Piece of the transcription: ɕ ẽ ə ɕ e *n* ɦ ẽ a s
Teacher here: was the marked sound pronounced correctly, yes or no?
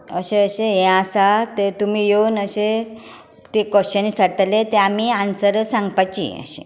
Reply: no